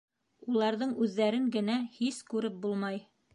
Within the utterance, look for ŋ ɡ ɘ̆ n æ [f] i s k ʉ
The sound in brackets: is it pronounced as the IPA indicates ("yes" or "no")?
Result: no